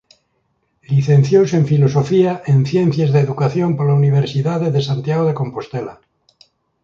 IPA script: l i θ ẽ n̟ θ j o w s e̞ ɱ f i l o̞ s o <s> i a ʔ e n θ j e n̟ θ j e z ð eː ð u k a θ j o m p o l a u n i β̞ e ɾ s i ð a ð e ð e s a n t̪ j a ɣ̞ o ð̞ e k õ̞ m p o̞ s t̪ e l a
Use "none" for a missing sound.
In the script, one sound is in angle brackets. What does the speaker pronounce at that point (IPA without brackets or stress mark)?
f